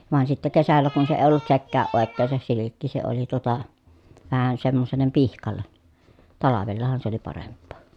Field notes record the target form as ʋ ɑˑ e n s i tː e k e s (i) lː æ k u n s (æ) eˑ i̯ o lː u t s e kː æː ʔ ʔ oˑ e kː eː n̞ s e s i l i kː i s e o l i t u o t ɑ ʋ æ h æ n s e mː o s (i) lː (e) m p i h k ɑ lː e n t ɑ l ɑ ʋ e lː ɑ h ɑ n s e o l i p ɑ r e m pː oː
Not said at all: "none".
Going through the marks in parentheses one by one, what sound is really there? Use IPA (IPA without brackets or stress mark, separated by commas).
æ, e, e, e